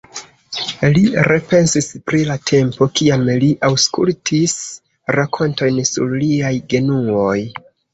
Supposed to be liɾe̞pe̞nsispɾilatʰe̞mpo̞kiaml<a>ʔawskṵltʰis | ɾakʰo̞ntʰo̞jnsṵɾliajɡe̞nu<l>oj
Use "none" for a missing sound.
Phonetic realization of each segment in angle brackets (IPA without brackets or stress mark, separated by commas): i, none